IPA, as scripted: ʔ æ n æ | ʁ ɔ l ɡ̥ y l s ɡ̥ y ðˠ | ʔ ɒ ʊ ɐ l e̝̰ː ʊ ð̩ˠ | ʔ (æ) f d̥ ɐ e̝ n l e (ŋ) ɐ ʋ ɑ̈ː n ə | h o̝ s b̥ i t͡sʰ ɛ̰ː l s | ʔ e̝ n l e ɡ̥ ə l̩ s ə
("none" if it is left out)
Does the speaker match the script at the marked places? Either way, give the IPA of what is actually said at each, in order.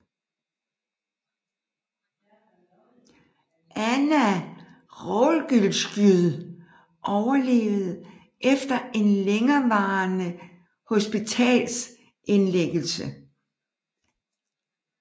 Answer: e, ŋ

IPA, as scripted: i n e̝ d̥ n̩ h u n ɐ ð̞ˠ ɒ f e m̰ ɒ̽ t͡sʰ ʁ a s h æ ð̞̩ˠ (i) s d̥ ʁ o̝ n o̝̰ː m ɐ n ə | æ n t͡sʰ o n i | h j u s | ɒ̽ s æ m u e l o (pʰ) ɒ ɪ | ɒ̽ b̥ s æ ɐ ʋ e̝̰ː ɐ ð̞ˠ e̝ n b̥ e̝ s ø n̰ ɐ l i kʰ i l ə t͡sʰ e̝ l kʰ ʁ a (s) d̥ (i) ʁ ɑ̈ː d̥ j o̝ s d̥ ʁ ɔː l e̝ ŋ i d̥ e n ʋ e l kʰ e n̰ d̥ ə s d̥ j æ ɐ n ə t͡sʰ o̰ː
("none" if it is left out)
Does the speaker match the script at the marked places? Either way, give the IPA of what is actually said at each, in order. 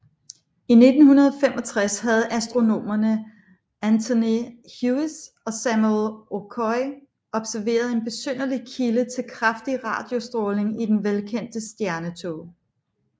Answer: æ, kʰ, f, i

